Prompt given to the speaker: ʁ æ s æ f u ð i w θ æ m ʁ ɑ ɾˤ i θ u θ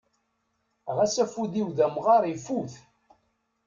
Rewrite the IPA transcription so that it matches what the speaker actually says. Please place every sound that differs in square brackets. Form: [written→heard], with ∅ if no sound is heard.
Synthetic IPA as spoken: ʁ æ s æ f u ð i w [θ→ð] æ m ʁ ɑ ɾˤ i [θ→f] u θ